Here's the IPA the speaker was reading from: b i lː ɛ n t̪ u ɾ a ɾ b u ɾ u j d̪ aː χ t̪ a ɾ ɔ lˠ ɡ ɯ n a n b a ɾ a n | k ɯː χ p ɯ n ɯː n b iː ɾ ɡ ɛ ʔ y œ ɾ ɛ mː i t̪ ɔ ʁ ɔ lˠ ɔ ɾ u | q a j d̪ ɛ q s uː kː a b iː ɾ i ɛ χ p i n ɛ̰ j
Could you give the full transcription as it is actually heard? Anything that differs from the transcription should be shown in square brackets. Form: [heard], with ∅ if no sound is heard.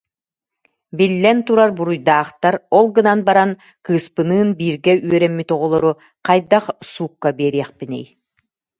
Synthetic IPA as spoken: b i lː ɛ n t̪ u ɾ a ɾ b u ɾ u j d̪ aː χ t̪ a ɾ ɔ lˠ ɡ ɯ n a n b a ɾ a n | k ɯː [s] p ɯ n ɯː n b iː ɾ ɡ ɛ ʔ y œ ɾ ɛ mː i t̪ ɔ ʁ ɔ lˠ ɔ ɾ u | q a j d̪ [a] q s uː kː a b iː ɾ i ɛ χ p i n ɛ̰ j